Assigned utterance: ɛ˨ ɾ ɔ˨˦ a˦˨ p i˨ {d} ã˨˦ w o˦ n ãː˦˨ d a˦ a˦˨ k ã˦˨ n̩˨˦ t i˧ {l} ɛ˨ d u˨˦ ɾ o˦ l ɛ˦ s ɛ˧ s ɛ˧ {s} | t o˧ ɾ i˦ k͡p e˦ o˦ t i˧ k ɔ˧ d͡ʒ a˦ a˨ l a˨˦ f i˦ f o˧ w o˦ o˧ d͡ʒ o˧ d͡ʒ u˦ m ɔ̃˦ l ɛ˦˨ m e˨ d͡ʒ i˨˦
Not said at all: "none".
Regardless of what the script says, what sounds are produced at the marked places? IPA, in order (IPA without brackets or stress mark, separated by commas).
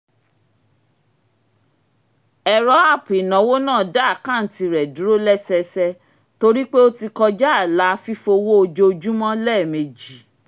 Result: n, ɾ, none